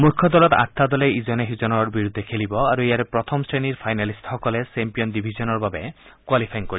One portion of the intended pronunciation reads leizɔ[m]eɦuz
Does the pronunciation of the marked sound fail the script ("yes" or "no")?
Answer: yes